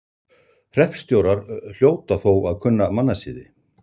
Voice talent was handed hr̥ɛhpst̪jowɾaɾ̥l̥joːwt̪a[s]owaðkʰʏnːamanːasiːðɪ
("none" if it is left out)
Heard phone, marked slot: θ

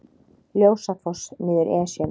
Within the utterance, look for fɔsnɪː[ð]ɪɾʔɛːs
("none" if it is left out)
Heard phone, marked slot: ð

